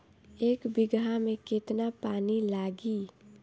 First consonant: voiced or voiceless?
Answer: voiceless